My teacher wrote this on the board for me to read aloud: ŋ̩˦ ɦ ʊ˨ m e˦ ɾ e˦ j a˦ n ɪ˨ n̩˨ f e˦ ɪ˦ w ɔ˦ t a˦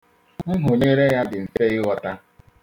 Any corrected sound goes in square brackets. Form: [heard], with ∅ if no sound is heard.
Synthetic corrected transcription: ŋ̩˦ ɦ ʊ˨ [ɲ] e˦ ɾ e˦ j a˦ [d] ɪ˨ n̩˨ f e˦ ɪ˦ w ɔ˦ t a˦